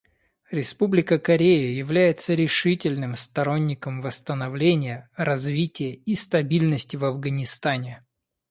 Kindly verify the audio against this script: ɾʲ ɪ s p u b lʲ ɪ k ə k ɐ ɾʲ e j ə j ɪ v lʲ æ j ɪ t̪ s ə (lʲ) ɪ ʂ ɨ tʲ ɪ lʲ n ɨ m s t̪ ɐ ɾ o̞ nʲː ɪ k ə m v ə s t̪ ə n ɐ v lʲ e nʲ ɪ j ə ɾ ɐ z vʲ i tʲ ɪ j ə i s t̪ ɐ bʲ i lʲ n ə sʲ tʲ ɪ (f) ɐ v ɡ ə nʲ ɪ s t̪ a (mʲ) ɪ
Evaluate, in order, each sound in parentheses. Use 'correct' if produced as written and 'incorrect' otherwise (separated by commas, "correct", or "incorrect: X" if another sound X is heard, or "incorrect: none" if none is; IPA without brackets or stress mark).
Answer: incorrect: ɾʲ, incorrect: v, incorrect: nʲ